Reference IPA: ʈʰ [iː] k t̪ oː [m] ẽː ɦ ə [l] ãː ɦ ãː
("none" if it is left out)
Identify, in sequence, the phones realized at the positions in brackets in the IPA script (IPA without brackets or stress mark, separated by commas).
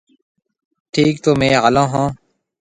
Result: iː, m, l